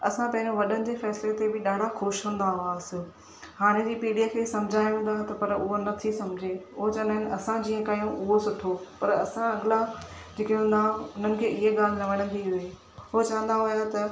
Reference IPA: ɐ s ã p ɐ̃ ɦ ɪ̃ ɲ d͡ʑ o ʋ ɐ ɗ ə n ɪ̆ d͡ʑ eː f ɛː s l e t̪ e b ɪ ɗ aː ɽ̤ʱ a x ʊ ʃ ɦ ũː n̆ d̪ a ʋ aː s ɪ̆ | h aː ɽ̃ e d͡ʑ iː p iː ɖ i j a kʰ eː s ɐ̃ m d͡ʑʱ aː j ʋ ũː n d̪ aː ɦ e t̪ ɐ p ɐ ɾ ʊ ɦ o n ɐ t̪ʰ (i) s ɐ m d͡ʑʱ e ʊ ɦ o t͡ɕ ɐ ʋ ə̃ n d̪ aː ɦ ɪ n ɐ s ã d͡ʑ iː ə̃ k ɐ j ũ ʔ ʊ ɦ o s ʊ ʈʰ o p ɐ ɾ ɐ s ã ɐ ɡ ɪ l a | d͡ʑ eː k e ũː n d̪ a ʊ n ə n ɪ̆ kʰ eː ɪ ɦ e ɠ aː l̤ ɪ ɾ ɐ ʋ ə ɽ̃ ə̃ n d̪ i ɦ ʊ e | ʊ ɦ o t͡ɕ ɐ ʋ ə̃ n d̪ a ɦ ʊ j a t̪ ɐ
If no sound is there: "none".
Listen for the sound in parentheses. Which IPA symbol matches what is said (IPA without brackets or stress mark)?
i